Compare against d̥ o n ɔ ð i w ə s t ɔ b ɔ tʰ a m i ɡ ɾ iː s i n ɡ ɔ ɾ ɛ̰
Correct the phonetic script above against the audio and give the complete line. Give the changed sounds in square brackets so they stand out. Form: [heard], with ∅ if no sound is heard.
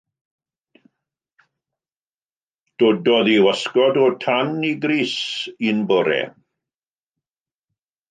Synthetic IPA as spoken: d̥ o [d] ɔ ð i w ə s [k] ɔ [d] ɔ tʰ a [n] i ɡ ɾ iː s i n [b] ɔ ɾ ɛ̰

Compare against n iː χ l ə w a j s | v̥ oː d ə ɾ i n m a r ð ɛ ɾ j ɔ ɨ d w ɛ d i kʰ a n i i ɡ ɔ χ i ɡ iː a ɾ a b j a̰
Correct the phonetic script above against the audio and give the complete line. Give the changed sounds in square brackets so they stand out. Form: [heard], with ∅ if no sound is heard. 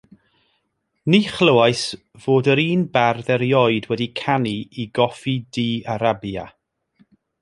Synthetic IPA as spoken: n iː χ l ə w a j s | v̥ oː d ə ɾ [iː] n [b] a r ð ɛ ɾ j ɔ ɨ d w ɛ d i kʰ a n i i ɡ ɔ [f] i [d] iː a ɾ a b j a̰

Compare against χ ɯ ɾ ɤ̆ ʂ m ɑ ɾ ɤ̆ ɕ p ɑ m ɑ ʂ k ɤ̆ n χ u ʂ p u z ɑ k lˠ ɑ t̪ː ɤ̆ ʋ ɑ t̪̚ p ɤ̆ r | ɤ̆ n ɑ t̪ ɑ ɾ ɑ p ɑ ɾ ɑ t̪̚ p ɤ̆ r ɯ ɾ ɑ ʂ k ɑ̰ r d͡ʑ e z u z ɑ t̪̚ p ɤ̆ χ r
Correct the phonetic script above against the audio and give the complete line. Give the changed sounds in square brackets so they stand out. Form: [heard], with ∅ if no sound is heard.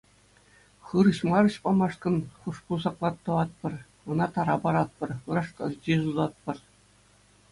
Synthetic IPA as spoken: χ ɯ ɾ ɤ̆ [ɕ] m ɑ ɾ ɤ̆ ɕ p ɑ m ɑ ʂ k ɤ̆ n χ u ʂ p u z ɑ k lˠ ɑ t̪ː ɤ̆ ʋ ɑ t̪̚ p ɤ̆ r | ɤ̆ n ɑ t̪ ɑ ɾ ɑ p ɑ ɾ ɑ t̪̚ p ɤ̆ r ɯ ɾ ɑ ʂ k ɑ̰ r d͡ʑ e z u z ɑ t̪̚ p ɤ̆ [∅] r

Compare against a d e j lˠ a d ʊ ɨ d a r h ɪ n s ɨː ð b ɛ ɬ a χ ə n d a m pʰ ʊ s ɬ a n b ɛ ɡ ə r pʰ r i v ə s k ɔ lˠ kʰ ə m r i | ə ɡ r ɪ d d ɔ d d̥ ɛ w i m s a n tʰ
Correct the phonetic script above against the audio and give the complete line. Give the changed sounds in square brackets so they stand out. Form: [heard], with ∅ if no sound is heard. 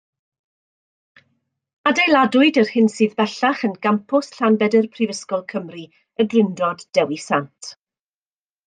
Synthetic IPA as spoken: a d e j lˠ a d ʊ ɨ d [ə] r h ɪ n s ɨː ð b ɛ ɬ a χ ə n [ɡ] a m pʰ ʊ s ɬ a n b ɛ [d] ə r pʰ r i v ə s k ɔ lˠ kʰ ə m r i | ə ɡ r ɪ [n] d ɔ d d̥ ɛ w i [∅] s a n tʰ

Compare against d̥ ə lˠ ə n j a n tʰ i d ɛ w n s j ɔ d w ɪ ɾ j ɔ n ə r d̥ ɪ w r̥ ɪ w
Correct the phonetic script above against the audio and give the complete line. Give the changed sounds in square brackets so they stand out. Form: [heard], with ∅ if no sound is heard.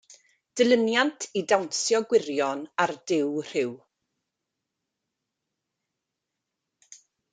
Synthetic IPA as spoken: d̥ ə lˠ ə n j a n tʰ i d [a] w n s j ɔ [ɡ] w ɪ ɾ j ɔ n [a] r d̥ ɪ w r̥ ɪ w

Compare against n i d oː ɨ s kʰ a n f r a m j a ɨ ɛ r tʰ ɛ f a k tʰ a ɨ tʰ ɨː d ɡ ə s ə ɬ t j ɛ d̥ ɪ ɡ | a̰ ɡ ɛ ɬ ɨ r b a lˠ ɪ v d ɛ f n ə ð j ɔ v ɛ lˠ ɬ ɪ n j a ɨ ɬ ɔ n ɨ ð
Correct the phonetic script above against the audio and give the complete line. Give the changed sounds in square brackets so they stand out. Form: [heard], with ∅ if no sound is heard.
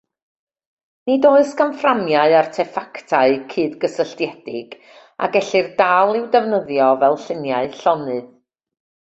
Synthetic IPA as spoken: n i d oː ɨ s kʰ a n f r a m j a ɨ [a] r tʰ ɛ f a k tʰ a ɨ [kʰ] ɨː d ɡ ə s ə ɬ t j ɛ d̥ ɪ ɡ | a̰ ɡ ɛ ɬ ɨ r [d] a lˠ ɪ [w] d ɛ [v] n ə ð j ɔ v ɛ lˠ ɬ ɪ n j a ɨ ɬ ɔ n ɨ ð

